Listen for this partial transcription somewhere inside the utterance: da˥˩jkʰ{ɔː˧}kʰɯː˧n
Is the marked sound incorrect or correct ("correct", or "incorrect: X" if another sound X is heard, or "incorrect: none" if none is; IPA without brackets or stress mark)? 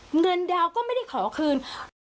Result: incorrect: ɔː˩˦